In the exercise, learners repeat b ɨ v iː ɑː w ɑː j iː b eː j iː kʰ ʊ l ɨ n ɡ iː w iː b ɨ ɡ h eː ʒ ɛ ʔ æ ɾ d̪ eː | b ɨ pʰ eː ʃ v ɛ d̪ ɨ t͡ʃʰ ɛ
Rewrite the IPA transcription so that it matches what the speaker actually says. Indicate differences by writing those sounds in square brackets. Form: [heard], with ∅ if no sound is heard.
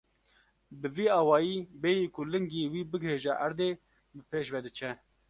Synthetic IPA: b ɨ v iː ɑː w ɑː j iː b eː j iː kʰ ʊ l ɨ [ŋ] ɡ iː w iː b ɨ ɡ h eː ʒ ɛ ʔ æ ɾ d̪ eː | b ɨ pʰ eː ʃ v ɛ d̪ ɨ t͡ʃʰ ɛ